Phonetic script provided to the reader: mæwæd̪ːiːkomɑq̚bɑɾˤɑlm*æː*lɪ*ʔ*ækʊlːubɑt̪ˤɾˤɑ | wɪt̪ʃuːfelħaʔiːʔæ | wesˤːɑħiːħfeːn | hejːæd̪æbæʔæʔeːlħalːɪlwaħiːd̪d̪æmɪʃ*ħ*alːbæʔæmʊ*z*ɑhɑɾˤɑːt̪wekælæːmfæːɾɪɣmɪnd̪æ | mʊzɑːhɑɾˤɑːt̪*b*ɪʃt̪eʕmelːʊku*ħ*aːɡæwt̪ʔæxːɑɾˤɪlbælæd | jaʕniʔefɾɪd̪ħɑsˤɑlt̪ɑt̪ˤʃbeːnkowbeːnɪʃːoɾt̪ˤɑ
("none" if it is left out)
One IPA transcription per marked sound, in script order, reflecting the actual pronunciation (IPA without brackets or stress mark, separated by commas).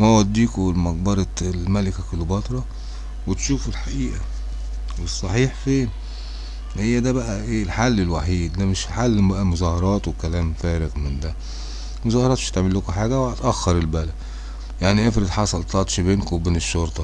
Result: æ, k, ħ, z, m, ħ